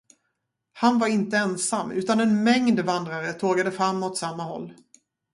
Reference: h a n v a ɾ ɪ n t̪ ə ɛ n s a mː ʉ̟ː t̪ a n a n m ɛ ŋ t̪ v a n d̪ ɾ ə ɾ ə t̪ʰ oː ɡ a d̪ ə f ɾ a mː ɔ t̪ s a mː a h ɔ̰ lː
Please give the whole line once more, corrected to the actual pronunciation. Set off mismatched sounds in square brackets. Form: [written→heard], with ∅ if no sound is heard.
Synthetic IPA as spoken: h a n v a ɾ ɪ n t̪ ə ɛ n s a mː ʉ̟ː t̪ a n [a→ɛ] n m ɛ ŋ [t̪→d̪] v a n d̪ ɾ [ə→a] ɾ ə t̪ʰ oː ɡ a d̪ ə f ɾ a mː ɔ t̪ s a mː a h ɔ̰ lː